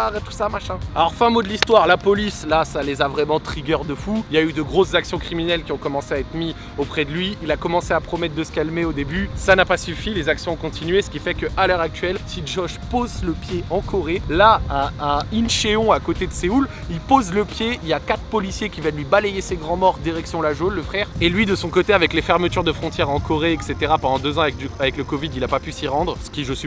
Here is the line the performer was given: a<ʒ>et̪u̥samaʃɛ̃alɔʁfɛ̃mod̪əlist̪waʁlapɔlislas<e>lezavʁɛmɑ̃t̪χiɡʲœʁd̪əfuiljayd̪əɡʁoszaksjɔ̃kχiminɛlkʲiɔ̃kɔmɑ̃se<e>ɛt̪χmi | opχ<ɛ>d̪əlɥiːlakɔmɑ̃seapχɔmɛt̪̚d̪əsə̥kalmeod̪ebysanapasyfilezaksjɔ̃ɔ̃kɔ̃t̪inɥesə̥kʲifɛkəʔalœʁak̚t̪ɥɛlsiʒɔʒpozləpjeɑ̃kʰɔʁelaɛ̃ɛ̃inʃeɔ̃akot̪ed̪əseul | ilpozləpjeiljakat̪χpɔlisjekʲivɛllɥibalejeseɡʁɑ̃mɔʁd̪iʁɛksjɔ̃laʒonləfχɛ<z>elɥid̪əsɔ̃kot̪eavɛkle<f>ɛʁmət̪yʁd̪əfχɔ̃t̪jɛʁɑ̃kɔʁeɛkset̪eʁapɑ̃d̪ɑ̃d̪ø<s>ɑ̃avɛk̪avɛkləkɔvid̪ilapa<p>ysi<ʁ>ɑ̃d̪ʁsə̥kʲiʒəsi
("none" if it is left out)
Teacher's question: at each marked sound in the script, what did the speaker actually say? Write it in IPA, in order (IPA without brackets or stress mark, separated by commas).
ʁ, a, a, ɛ, ʁ, f, z, p, ʁ